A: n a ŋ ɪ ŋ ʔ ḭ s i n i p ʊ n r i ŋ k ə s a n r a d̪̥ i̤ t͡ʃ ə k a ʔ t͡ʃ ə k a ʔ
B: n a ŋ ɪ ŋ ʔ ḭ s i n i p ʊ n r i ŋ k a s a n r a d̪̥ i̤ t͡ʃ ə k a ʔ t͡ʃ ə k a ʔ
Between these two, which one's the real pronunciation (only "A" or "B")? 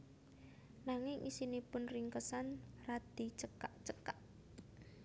A